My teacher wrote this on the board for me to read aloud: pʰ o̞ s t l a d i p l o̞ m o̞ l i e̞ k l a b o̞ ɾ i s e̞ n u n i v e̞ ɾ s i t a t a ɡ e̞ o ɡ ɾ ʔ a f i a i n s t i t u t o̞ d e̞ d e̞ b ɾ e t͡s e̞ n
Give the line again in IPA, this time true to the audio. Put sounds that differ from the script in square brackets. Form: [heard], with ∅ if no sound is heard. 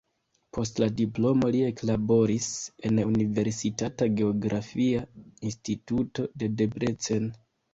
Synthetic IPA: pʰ o̞ s t l a d i p l o̞ m o̞ l i e̞ k l a b o̞ ɾ i s e̞ n u n i v e̞ ɾ s i t a t a ɡ e̞ o ɡ ɾ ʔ a f i a i n s t i t u t o̞ d e̞ d e̞ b ɾ e t͡s e̞ n

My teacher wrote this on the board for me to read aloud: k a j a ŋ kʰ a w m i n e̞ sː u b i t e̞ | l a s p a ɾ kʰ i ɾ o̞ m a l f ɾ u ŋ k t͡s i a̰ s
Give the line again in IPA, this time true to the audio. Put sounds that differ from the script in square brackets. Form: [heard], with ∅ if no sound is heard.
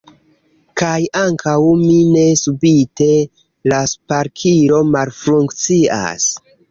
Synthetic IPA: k a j a ŋ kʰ a w m i n e̞ [s] u b i t e̞ | l a s p a ɾ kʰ i ɾ o̞ m a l f ɾ u ŋ k t͡s i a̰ s

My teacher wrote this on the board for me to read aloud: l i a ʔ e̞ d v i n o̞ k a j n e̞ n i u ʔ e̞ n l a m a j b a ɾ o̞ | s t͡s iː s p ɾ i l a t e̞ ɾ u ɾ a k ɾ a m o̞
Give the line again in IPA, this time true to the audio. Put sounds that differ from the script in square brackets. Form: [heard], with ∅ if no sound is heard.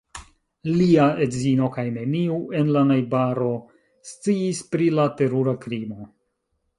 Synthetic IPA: l i a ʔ e̞ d [z] i n o̞ k a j n e̞ n i u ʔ e̞ n l a [n] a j b a ɾ o̞ | s t͡s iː s p ɾ i l a t e̞ ɾ u ɾ a k ɾ [i] m o̞

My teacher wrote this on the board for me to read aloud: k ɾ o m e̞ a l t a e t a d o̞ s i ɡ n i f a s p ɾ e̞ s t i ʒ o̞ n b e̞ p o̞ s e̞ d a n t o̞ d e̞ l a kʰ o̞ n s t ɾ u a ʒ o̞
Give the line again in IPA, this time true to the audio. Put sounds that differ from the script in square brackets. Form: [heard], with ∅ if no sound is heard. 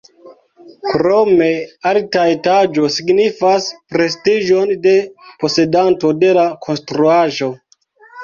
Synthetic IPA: k ɾ o m e̞ a l t a e t a [d͡ʒ] o̞ s i ɡ n i f a s p ɾ e̞ s t i ʒ o̞ n [d] e̞ p o̞ s e̞ d a n t o̞ d e̞ l a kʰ o̞ n s t ɾ u a ʒ o̞

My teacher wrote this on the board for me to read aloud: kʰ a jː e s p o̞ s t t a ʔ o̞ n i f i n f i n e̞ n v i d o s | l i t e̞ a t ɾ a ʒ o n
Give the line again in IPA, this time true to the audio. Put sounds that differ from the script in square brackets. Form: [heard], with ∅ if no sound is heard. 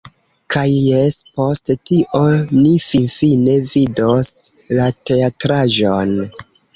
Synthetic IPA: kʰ a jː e s p o̞ s t t [i] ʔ o̞ n i f i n f i n e̞ [∅] v i d o s | l [a] t e̞ a t ɾ a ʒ o n

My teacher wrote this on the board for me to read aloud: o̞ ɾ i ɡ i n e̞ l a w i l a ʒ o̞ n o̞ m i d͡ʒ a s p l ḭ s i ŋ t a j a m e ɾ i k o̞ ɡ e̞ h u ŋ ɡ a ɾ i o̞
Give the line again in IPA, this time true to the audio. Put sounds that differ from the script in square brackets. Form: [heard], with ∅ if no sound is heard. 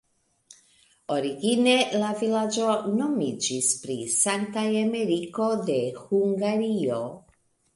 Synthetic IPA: o̞ ɾ i ɡ i n e̞ l a [v] i l a [d͡ʒ] o̞ n o̞ m i d͡ʒ [i] s p [ɾ] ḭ s [a] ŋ t a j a m e ɾ i k o̞ [d] e̞ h u ŋ ɡ a ɾ i o̞

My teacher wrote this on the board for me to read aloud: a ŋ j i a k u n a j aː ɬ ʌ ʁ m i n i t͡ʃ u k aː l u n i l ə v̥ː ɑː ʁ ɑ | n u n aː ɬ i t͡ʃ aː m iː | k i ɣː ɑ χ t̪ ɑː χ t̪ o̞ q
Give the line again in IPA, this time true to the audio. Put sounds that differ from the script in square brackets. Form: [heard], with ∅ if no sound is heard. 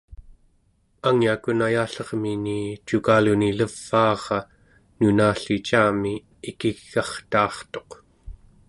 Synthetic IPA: a ŋ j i a k u n a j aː ɬ ʌ ʁ m i n i t͡ʃ u k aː l u n i l ə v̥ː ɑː ʁ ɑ | n u n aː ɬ i t͡ʃ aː m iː | k i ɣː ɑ χ t̪ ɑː χ t̪ o̞ q

